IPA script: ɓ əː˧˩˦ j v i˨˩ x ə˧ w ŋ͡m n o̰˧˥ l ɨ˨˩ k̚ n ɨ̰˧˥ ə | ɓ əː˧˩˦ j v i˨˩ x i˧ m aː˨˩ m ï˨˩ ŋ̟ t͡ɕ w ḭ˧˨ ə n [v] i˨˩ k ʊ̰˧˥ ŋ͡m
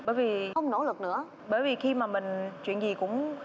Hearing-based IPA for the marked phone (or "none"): z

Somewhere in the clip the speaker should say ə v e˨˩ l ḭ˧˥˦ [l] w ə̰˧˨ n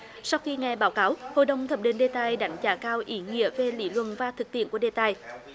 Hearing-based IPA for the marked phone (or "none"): l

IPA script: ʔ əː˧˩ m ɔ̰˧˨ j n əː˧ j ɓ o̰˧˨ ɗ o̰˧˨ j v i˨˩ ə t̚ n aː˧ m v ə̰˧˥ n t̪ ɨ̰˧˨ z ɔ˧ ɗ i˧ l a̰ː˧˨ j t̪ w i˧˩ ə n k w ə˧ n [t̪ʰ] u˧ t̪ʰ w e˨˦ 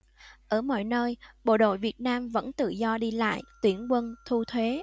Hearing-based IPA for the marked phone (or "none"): t̪ʰ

